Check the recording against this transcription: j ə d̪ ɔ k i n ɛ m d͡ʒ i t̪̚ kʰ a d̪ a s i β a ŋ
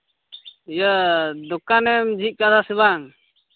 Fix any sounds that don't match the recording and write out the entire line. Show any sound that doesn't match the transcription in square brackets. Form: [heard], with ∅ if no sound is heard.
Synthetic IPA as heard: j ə d̪ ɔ k [a] n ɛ m d͡ʒ i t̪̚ [k] a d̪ a s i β a ŋ